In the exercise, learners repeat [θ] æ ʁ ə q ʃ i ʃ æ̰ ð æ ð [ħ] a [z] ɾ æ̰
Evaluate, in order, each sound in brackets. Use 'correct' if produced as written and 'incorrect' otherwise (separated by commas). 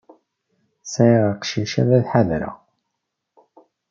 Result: incorrect, correct, incorrect